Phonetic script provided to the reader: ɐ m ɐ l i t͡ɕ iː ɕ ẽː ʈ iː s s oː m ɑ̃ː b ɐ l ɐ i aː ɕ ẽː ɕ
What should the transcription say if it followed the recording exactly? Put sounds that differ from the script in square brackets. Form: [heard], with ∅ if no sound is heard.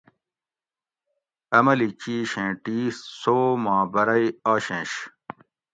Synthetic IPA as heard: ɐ m ɐ l i t͡ɕ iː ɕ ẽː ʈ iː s s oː m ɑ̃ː b ɐ [ɾ] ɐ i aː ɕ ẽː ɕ

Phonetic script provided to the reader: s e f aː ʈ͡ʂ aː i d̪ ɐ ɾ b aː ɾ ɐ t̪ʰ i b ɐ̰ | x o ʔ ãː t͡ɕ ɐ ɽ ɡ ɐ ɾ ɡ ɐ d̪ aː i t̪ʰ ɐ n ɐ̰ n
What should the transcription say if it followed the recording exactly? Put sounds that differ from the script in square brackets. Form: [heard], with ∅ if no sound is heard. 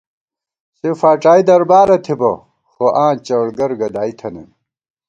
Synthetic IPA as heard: s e f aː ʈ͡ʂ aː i d̪ ɐ ɾ b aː ɾ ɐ t̪ʰ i b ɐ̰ | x o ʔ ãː t͡ɕ ɐ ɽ ɡ ɐ ɾ ɡ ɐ d̪ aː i t̪ʰ ɐ n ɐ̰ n

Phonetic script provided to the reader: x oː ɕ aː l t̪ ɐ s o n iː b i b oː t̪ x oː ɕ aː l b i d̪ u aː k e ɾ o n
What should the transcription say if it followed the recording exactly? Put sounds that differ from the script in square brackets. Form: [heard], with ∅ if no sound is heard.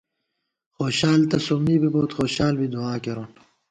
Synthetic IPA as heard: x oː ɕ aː l t̪ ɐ s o [m] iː b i b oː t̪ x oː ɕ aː l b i d̪ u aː k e ɾ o n

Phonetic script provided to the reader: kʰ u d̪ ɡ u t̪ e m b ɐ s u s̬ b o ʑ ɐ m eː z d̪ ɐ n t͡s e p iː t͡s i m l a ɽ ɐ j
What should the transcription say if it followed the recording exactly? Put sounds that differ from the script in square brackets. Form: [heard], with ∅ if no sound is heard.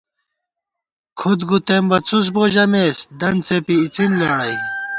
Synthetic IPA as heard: kʰ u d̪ ɡ u t̪ e m b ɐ [t͡s] u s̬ b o ʑ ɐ m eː [s] d̪ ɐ n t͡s e p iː t͡s i [n] l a ɽ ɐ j

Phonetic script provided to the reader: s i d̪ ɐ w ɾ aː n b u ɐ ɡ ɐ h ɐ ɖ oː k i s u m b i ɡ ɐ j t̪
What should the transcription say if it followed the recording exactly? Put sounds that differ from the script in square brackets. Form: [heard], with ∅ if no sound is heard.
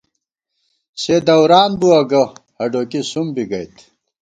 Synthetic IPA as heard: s [e] d̪ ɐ w ɾ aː n b u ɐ ɡ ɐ h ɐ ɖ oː k i s u m b i ɡ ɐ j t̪

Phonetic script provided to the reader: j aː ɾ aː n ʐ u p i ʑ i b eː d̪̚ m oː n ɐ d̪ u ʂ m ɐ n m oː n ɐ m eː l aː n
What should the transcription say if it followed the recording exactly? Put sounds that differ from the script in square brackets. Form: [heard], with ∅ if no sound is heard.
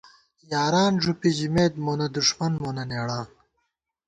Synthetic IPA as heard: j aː ɾ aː n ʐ u p i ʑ i [m] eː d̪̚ m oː n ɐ d̪ u ʂ m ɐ n m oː n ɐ [n] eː [ɽ] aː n

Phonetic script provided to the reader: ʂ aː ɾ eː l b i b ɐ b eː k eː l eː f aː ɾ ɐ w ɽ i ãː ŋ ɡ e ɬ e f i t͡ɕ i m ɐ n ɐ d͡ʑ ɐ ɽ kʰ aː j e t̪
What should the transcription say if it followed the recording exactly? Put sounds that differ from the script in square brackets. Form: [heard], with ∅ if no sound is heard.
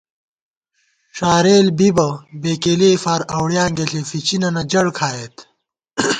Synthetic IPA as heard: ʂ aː ɾ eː l b i b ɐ b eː k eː l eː f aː ɾ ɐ w ɽ [j] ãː ŋ ɡ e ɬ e f i t͡ɕ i [n] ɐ n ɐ d͡ʑ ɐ ɽ kʰ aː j e t̪

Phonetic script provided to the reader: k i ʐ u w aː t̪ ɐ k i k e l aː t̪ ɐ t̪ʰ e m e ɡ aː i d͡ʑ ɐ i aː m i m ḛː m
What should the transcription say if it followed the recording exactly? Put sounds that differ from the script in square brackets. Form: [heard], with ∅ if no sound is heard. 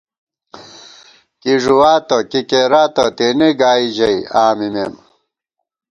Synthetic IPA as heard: k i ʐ u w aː t̪ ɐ k i k e [ɾ] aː t̪ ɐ [t̪] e [n] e ɡ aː i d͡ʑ ɐ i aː m i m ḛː m

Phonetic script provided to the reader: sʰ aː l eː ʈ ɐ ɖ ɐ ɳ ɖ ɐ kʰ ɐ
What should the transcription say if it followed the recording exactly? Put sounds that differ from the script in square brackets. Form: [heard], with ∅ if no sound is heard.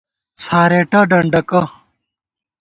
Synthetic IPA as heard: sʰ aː [ɾ] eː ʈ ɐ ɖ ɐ ɳ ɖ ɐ [k] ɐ

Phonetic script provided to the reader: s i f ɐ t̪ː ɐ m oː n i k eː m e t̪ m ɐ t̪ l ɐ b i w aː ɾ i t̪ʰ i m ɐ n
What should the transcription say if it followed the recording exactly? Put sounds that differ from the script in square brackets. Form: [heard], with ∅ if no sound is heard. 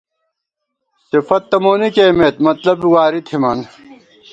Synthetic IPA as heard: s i f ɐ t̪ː ɐ m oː n i k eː m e t̪ m ɐ t̪ l ɐ b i w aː ɾ i t̪ʰ i m ɐ n

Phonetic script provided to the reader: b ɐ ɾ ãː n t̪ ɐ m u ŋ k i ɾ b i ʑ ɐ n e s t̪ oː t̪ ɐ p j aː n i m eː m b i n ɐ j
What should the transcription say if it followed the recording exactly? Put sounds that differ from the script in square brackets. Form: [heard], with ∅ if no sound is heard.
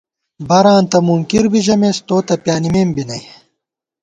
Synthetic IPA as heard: b ɐ ɾ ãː n t̪ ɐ m u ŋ k i ɾ b i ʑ ɐ [m] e s t̪ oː t̪ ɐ p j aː n i m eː m b i n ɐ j

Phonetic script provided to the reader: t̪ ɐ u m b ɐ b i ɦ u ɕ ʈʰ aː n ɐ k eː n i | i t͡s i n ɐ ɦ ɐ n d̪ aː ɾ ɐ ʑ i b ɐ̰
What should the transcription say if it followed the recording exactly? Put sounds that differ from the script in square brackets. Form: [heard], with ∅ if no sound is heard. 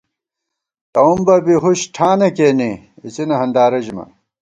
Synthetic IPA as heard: t̪ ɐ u m b ɐ b i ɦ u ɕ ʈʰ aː n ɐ k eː n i | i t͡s i n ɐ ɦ ɐ n d̪ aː ɾ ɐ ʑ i [m] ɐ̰

